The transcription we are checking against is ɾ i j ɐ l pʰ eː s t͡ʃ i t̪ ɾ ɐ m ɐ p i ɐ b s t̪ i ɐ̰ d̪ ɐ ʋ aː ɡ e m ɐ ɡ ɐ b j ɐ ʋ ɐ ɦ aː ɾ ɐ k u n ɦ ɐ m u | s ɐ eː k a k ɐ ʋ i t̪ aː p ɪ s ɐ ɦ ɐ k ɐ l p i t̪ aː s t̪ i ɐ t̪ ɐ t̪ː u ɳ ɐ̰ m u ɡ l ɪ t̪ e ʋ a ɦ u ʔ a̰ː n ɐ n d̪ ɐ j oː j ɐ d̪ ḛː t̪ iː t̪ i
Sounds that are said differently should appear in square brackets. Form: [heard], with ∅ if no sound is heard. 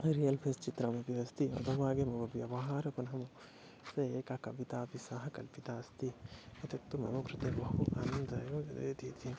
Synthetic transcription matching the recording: ɾ i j ɐ l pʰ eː s t͡ʃ i t̪ ɾ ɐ m ɐ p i ɐ [∅] s t̪ i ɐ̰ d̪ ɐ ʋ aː ɡ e m ɐ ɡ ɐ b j ɐ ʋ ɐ ɦ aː ɾ ɐ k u n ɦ ɐ m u | s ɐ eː k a k ɐ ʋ i t̪ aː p [i] s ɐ ɦ ɐ k ɐ l p i t̪ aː s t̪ i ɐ t̪ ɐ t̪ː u [m] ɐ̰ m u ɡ [ɾ] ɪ t̪ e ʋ [ɐ] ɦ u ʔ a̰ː n ɐ n d̪ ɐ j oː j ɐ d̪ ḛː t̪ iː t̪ i

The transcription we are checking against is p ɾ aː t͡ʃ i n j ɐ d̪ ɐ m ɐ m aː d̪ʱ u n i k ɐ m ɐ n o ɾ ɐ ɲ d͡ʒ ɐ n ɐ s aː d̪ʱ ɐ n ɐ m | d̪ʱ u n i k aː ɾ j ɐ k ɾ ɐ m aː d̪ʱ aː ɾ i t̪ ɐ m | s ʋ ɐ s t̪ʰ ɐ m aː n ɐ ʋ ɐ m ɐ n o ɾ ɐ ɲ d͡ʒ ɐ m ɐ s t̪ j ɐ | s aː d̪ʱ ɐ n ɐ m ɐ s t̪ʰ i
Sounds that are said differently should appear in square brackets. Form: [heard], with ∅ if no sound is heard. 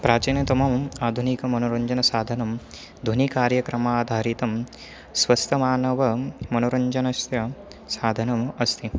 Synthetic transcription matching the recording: p ɾ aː t͡ʃ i n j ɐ [t̪] ɐ m ɐ m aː d̪ʱ u n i k ɐ m ɐ n o ɾ ɐ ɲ d͡ʒ ɐ n ɐ s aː d̪ʱ ɐ n ɐ m | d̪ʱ u n i k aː ɾ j ɐ k ɾ ɐ m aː d̪ʱ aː ɾ i t̪ ɐ m | s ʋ ɐ s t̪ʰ ɐ m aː n ɐ ʋ ɐ m ɐ n o ɾ ɐ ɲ d͡ʒ ɐ [n] ɐ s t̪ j ɐ | s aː d̪ʱ ɐ n ɐ m ɐ s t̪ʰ i

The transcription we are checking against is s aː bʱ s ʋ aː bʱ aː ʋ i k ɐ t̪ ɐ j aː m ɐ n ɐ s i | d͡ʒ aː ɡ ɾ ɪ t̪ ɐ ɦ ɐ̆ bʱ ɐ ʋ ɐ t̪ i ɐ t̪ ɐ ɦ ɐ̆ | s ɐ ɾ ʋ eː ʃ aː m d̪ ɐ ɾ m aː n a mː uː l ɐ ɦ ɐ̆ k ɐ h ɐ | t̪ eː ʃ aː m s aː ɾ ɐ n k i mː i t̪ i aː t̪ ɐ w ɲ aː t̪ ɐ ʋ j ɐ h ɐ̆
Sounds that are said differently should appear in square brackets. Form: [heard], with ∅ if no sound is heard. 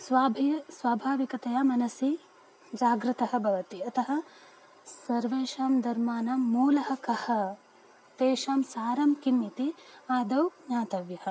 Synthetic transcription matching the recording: s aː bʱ s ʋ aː bʱ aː ʋ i k ɐ t̪ ɐ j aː m ɐ n ɐ s i | d͡ʒ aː ɡ ɾ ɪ t̪ ɐ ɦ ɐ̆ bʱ ɐ ʋ ɐ t̪ i ɐ t̪ ɐ ɦ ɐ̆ | s ɐ ɾ ʋ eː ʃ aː m d̪ ɐ ɾ m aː n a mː uː l ɐ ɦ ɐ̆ k ɐ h ɐ | t̪ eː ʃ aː m s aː ɾ ɐ [m] k i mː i t̪ i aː [d̪] ɐ w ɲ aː t̪ ɐ ʋ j ɐ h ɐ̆

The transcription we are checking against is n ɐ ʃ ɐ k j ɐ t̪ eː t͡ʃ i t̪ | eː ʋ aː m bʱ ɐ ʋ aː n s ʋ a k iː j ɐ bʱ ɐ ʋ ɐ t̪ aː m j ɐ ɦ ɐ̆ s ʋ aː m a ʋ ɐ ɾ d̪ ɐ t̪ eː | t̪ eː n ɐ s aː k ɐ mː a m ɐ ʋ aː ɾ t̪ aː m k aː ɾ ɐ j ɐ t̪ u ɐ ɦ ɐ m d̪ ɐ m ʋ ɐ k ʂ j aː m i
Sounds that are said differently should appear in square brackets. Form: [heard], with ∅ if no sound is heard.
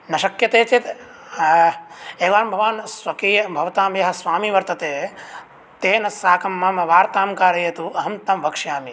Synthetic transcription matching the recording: n ɐ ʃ ɐ k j ɐ t̪ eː t͡ʃ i t̪ | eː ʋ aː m bʱ ɐ ʋ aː n s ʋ [ɐ] k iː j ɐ bʱ ɐ ʋ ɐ t̪ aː m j ɐ ɦ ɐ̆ s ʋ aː m [i] ʋ ɐ ɾ [t̪] ɐ t̪ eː | t̪ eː n ɐ s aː k ɐ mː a m ɐ ʋ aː ɾ t̪ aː m k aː ɾ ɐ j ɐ t̪ u ɐ ɦ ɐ m [t̪] ɐ m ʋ ɐ k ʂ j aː m i

